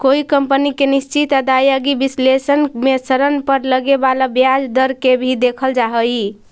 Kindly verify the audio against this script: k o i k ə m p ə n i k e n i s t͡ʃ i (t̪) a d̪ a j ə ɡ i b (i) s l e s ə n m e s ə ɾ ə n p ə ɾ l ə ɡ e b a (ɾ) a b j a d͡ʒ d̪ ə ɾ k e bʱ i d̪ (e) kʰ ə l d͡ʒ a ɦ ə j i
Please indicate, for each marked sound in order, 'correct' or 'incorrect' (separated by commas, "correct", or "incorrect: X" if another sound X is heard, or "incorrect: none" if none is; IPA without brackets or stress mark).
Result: correct, correct, incorrect: l, correct